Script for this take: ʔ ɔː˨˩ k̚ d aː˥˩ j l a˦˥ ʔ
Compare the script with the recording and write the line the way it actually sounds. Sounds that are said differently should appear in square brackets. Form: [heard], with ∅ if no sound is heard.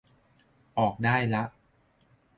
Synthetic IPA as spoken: ʔ ɔː˨˩ k̚ d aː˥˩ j l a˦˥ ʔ